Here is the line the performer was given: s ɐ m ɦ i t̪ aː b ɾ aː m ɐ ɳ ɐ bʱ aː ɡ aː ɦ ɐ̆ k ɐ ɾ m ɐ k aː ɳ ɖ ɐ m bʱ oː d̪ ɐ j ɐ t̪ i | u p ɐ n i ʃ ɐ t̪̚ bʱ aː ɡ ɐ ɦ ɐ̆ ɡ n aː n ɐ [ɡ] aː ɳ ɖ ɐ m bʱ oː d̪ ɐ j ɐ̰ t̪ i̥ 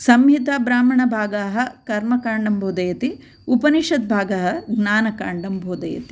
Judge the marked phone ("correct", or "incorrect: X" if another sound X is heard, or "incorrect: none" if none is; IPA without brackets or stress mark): incorrect: k